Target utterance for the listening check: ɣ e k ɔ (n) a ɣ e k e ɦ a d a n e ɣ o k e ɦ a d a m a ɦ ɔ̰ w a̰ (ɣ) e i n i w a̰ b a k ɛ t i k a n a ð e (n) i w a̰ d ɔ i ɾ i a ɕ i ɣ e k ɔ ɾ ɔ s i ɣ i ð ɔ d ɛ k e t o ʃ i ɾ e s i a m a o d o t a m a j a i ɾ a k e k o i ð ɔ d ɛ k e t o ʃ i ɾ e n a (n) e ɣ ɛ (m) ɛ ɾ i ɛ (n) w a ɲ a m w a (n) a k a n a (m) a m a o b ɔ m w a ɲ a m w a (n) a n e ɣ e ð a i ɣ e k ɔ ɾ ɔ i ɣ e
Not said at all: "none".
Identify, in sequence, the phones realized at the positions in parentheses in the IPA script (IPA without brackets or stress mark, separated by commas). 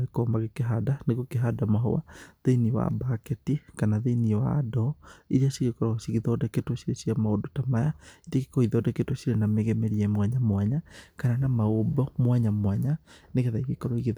m, ð, n, m, m, m, ɲ, n, ɲ